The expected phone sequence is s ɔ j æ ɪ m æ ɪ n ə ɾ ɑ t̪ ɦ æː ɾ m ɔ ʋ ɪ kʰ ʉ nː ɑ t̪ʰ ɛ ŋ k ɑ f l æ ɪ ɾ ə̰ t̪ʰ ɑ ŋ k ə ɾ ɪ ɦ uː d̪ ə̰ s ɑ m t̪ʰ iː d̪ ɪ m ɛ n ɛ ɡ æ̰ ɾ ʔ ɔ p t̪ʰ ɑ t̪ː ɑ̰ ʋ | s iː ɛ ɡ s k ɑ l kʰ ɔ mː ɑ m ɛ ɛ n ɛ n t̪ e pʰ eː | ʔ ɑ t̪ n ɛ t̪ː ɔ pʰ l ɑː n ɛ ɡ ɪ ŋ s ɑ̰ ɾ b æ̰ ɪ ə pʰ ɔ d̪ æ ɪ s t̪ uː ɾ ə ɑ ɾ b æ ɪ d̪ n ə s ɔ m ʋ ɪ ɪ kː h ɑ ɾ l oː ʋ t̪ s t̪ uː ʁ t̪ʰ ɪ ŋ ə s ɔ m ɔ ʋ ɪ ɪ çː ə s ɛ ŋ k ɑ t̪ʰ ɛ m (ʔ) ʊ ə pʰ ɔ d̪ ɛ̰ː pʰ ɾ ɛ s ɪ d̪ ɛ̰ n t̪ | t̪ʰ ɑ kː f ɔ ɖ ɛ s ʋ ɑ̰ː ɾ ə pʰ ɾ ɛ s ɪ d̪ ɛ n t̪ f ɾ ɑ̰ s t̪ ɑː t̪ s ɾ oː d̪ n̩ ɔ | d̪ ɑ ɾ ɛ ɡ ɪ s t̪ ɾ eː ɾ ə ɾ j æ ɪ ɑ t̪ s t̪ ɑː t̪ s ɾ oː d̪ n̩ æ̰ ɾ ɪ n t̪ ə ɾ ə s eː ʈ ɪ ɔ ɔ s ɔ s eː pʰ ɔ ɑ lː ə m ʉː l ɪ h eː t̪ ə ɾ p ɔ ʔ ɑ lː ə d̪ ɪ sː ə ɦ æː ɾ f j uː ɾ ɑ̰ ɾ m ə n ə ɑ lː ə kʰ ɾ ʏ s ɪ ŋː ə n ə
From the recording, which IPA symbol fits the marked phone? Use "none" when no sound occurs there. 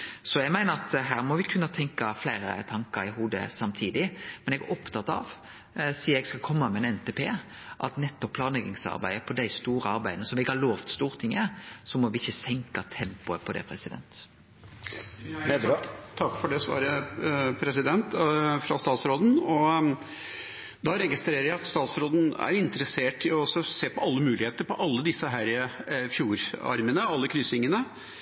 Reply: p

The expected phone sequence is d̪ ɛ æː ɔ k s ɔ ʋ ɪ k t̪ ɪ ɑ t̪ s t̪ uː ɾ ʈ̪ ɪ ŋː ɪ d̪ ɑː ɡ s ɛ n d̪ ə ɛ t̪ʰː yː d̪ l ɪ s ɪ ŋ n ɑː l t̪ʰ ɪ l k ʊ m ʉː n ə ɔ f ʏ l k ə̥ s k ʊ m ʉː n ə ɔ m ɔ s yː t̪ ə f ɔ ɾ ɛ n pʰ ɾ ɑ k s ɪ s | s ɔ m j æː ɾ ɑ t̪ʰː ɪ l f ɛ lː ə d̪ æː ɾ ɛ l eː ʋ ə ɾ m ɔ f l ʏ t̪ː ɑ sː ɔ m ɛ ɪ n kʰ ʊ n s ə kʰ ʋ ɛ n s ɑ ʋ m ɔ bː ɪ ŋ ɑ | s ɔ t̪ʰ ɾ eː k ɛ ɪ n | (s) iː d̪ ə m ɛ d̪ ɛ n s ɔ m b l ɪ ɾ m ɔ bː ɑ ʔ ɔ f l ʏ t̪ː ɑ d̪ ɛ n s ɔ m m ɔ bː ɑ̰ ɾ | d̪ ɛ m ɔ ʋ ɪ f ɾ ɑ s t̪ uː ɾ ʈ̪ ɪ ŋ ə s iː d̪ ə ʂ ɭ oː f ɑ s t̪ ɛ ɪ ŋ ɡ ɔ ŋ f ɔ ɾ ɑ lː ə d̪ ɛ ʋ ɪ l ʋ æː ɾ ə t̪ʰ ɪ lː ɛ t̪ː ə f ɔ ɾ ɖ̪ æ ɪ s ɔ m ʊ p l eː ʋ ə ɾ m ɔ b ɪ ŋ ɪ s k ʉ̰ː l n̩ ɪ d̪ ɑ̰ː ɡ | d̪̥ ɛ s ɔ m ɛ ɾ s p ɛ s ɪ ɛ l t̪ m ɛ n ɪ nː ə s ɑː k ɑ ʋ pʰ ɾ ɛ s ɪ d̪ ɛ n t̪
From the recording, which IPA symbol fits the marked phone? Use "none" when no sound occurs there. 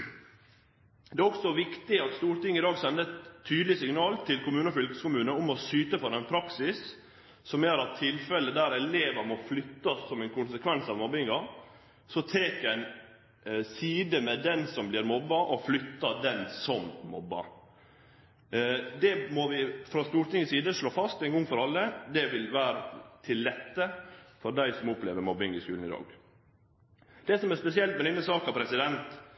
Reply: s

